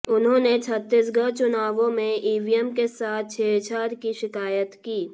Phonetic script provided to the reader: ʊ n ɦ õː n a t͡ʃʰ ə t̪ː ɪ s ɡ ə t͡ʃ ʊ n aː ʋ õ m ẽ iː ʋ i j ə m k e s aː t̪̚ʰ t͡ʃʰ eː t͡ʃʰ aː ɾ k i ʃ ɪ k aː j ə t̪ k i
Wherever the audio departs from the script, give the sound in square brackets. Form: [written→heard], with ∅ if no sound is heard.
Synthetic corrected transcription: ʊ n ɦ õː n [a→e] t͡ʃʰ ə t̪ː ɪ s ɡ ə t͡ʃ ʊ n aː ʋ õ m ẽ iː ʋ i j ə m k e s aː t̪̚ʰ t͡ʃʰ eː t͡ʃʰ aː ɾ k i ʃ ɪ k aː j ə t̪ k [i→iː]